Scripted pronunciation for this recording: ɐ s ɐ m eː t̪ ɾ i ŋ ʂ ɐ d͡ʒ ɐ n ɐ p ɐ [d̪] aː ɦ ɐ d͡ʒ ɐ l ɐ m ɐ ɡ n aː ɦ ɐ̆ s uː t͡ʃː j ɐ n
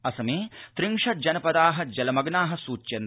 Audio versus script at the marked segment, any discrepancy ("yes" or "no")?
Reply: no